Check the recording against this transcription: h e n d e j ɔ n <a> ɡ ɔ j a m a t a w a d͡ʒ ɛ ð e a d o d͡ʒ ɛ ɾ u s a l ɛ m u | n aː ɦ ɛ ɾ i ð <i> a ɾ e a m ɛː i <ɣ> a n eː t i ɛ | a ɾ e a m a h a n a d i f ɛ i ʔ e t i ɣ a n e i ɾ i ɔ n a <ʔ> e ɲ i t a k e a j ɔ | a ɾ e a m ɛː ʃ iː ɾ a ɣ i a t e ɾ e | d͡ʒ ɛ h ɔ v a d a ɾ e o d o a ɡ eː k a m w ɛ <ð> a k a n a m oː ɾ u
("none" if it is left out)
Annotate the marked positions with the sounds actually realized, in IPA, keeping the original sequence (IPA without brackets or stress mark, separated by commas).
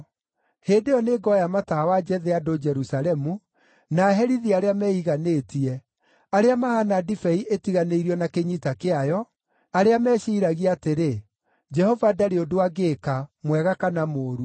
e, i, ɣ, k, ɣ